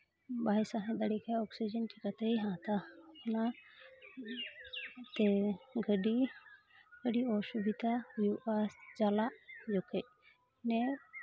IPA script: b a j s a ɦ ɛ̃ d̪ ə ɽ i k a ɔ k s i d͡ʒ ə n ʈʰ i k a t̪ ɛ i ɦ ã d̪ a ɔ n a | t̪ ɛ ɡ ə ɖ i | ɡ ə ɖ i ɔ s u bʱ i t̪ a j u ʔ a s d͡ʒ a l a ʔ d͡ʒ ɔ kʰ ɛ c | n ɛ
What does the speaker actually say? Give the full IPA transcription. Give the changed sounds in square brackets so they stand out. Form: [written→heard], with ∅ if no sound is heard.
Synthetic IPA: b a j s a ɦ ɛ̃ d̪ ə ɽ i k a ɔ k s i d͡ʒ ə n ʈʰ i k a t̪ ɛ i ɦ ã [d̪→t̪] a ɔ n a | t̪ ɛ ɡ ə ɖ i | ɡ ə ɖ i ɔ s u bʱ i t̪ a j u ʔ a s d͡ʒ a l a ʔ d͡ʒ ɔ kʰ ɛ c | n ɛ

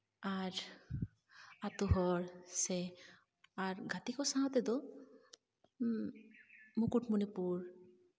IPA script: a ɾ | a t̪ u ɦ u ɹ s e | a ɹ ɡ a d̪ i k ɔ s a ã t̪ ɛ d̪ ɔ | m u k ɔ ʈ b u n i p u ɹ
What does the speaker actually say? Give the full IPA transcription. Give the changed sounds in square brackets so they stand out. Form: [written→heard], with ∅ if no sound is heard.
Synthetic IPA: a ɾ | a t̪ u ɦ [u→ɔ] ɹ s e | a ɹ ɡ a [d̪→t̪] i k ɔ s a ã t̪ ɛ d̪ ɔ | m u k [ɔ→u] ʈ [b→m] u n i p u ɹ

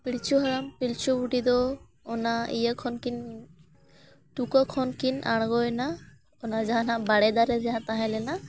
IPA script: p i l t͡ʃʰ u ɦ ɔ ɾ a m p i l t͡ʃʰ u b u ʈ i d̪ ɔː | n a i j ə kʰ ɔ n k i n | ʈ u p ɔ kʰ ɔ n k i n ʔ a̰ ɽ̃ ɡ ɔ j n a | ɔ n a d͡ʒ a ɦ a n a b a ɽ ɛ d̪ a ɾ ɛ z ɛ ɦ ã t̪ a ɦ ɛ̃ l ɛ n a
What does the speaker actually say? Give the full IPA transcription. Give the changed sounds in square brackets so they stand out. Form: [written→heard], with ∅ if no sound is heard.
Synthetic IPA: p i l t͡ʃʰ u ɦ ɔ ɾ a m p i l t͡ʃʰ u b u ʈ i d̪ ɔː | n a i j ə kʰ ɔ n k i n | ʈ u [p→k] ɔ kʰ ɔ n k i n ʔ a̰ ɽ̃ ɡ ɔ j n a | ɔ n a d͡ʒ a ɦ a n a b a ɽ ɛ d̪ a ɾ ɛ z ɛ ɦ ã t̪ a ɦ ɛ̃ l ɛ n a

